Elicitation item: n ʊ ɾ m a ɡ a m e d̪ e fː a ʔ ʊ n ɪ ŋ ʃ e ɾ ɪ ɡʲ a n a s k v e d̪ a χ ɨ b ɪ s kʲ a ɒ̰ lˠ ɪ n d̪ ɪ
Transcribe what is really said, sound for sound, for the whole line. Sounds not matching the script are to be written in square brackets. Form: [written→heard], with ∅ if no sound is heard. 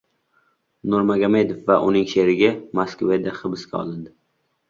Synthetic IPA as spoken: n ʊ ɾ m a ɡ a m e d̪ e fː a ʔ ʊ n ɪ ŋ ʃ e ɾ ɪ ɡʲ a [n→m] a s k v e d̪ a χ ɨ b ɪ s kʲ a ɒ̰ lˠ ɪ n d̪ ɪ